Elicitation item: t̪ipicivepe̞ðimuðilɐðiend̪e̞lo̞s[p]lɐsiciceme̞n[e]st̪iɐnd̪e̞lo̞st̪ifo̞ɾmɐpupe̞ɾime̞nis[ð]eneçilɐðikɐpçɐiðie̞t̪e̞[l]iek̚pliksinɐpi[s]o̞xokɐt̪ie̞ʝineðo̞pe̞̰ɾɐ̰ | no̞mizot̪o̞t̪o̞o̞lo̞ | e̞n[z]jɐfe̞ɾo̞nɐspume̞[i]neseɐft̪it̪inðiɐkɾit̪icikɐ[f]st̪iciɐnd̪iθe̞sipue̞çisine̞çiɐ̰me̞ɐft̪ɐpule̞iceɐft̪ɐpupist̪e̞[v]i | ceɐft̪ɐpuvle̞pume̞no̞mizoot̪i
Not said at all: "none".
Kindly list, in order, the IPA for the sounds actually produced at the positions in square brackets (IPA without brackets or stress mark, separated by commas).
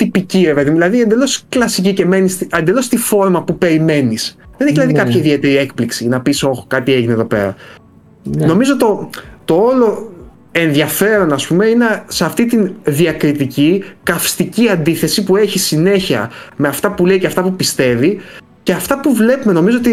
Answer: k, i, ð, ɾ, s, ð, i, f, v